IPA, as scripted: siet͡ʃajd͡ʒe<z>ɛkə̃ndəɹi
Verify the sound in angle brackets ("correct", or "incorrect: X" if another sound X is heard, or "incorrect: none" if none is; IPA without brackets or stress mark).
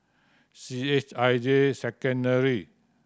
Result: incorrect: s